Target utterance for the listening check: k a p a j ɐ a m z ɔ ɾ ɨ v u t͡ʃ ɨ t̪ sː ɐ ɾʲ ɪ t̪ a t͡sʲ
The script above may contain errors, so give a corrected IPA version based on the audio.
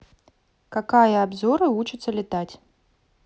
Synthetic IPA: k a k a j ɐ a b z ɔ ɾ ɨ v u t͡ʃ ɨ t̪ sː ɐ lʲ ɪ t̪ a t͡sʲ